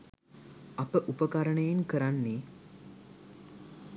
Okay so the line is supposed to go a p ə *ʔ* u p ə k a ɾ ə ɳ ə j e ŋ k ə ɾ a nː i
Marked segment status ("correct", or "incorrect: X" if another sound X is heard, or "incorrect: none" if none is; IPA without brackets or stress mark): correct